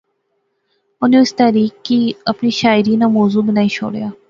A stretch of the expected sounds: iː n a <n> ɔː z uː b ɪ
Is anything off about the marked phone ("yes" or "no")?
yes